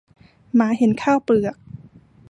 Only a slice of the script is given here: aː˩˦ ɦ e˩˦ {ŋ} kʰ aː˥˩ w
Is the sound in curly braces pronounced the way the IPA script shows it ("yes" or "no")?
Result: no